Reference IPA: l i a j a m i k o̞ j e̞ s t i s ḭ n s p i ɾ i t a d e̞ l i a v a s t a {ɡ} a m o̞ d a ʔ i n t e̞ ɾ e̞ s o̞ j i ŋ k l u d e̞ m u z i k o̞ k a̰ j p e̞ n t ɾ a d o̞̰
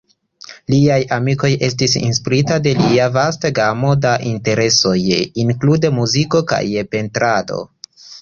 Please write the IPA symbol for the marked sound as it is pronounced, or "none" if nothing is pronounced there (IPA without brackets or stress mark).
ɡ